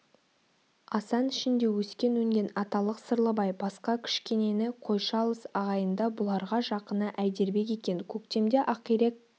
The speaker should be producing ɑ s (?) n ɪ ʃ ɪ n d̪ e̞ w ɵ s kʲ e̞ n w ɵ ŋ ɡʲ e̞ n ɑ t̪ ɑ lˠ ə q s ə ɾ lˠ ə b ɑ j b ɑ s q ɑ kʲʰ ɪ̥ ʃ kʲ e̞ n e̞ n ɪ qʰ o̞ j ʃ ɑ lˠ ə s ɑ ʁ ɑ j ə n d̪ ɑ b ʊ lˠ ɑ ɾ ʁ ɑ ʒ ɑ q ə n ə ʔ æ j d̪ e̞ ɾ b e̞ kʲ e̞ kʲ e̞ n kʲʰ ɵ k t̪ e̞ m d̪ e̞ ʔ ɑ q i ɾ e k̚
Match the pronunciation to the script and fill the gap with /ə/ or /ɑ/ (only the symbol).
ɑ